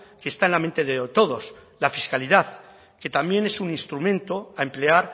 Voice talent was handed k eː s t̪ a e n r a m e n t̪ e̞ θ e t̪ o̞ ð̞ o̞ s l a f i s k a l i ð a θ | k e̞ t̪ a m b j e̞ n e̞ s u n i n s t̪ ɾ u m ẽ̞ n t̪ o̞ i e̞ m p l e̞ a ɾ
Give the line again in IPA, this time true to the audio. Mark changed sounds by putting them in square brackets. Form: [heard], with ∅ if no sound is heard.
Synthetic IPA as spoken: k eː s t̪ a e n [l] a m e n t̪ e̞ [ð] e t̪ o̞ ð̞ o̞ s l a f i s k a l i ð a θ | k e̞ t̪ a m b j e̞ n e̞ s u n i n s t̪ ɾ u m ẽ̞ n t̪ o̞ [a] e̞ m p l e̞ a ɾ